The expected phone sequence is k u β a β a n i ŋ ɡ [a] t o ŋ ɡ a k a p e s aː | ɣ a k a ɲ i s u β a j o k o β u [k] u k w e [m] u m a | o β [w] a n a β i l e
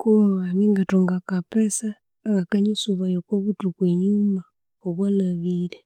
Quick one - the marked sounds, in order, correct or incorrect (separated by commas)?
correct, incorrect, incorrect, correct